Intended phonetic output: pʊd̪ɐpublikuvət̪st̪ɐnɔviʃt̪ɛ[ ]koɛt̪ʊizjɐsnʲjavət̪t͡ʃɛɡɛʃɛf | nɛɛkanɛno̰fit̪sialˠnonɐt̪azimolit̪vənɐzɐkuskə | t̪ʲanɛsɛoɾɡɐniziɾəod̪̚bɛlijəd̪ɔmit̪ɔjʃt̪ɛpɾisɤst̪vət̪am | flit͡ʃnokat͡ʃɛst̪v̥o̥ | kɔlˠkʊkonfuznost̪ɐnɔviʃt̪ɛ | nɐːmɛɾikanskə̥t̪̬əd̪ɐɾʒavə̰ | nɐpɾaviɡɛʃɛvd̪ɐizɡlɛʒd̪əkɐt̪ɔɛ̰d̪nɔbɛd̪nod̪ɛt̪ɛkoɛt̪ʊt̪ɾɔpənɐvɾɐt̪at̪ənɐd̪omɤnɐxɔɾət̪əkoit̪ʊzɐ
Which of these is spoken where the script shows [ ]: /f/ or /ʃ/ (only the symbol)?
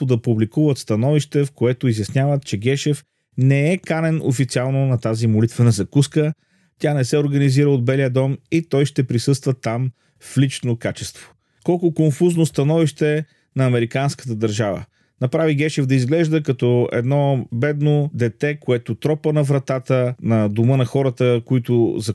f